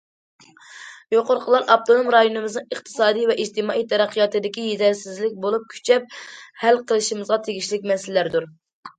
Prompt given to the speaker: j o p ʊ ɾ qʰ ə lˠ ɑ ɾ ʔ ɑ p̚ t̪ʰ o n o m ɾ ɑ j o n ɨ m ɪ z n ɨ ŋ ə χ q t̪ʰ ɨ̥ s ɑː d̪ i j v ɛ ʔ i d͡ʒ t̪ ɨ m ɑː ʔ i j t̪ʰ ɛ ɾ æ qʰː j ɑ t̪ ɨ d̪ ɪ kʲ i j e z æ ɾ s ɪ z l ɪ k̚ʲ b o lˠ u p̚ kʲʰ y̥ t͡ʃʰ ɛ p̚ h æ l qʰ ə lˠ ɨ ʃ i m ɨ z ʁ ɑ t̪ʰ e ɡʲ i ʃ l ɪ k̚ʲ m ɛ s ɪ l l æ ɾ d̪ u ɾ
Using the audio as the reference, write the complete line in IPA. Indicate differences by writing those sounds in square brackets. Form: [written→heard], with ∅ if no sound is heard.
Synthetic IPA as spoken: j o [p→q] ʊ ɾ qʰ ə lˠ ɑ ɾ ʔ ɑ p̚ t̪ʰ o n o m ɾ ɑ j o n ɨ m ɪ z n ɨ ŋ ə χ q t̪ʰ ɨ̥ s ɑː d̪ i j v ɛ ʔ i d͡ʒ t̪ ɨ m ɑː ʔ i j t̪ʰ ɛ ɾ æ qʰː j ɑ t̪ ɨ d̪ ɪ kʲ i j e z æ ɾ s ɪ z l ɪ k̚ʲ b o lˠ u p̚ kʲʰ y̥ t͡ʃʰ ɛ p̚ h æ l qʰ ə lˠ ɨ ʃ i m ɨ z ʁ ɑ t̪ʰ e ɡʲ i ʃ l ɪ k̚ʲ m ɛ s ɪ l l æ ɾ d̪ u ɾ